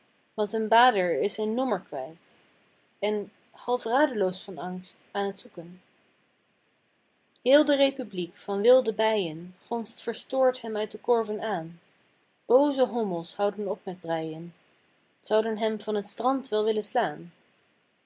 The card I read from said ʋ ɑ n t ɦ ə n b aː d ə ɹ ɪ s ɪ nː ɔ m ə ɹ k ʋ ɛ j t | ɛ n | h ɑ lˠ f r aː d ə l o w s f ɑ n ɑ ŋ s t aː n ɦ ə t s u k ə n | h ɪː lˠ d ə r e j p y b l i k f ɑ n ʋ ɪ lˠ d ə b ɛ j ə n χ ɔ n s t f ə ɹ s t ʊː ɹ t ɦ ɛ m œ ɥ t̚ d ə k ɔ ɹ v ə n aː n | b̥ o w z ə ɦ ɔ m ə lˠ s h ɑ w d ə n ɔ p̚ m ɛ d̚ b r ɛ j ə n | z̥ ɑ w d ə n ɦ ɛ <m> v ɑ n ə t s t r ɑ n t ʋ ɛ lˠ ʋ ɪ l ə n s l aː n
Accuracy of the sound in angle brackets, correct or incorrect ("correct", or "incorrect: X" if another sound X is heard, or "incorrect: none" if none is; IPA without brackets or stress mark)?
correct